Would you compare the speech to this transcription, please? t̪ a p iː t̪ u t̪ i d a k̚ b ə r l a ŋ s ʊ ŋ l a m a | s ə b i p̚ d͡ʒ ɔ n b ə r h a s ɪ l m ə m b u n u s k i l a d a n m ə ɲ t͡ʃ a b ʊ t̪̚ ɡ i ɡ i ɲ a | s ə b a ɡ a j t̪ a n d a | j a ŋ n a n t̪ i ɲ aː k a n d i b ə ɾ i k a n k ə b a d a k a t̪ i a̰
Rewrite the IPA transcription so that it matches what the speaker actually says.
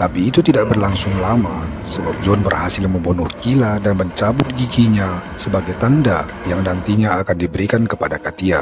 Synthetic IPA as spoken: t̪ a p iː t̪ u t̪ i d a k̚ b ə r l a ŋ s ʊ ŋ l a m a | s ə b a p̚ d͡ʒ ɔ n b ə r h a s ɪ l m ə m b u n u h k i l a d a n m ə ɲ t͡ʃ a b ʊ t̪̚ ɡ i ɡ i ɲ a | s ə b a ɡ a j t̪ a n d a | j a ŋ n a n t̪ i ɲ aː k a n d i b ə ɾ i k a n k ə p a d a k a t̪ i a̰